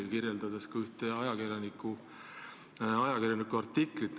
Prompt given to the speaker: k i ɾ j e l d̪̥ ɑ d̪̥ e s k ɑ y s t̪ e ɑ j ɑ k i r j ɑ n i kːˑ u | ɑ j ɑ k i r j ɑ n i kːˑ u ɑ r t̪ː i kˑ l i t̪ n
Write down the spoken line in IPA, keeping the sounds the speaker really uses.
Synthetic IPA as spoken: k i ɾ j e l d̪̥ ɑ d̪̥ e s k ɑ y h t̪ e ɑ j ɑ k i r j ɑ n i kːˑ u | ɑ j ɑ k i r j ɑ n i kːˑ u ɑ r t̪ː i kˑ l i t̪ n